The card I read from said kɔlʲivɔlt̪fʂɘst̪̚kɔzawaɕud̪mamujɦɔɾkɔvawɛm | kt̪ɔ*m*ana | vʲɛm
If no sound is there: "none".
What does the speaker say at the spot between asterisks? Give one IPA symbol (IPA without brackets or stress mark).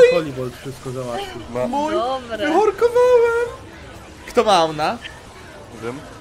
m